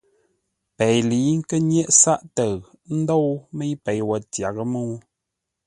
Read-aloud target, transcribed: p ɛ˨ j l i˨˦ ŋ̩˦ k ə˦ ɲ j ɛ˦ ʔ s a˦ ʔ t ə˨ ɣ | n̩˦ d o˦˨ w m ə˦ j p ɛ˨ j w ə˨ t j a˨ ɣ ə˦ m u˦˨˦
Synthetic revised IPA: p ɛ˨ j l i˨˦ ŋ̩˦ k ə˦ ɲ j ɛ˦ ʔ s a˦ ʔ t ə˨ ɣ | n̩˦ d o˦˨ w m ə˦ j p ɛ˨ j w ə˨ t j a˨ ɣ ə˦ m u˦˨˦